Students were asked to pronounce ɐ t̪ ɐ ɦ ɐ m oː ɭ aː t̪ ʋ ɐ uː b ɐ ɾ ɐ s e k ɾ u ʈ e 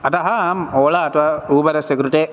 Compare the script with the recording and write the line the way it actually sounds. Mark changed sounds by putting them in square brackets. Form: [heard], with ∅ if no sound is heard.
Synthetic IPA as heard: ɐ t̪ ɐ ɦ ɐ m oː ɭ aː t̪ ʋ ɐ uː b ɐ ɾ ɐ s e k ɾ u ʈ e